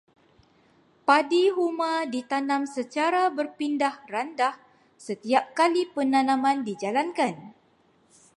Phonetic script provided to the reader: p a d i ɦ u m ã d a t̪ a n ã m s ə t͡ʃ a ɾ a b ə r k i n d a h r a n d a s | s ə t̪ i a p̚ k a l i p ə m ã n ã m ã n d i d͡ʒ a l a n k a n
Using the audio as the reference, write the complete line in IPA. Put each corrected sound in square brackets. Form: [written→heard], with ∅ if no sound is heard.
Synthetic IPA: p a d i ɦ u m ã d [a→i] t̪ a n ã m s ə t͡ʃ a ɾ a b ə r [k→p] i n d a h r a n d a [s→h] | s ə t̪ i a p̚ k a l i p ə [m→n] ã n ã m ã n d i d͡ʒ a l a n k a n